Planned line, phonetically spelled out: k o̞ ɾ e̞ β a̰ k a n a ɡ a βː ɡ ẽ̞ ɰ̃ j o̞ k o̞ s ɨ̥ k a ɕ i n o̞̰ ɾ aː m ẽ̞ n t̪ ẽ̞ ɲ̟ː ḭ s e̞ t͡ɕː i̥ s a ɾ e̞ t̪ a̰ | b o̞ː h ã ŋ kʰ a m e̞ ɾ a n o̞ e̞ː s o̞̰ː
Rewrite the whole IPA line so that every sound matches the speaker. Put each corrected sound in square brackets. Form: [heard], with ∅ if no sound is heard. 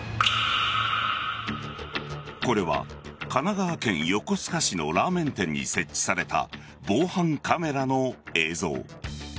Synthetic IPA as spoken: k o̞ ɾ e̞ β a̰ k a n a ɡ a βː [k] ẽ̞ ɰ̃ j o̞ k o̞ s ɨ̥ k a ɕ i n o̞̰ ɾ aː m ẽ̞ n t̪ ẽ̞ ɲ̟ː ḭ s e̞ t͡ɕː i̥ s a ɾ e̞ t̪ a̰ | b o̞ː h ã ŋ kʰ a m e̞ ɾ a n o̞ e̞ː [z] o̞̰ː